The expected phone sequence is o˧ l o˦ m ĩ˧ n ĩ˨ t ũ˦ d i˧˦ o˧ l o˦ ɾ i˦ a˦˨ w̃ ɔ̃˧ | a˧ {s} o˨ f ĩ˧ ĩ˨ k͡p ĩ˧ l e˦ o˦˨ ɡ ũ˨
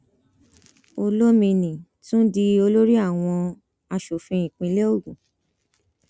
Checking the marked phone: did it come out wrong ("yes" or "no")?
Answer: yes